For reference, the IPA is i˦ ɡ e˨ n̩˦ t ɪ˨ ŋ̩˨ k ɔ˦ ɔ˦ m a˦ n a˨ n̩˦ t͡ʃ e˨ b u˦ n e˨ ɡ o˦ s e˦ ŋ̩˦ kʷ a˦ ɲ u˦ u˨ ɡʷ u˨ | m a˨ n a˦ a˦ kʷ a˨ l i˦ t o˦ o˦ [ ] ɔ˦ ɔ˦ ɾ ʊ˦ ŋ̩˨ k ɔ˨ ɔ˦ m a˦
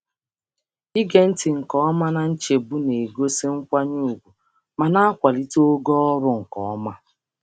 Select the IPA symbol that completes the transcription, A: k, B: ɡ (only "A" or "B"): B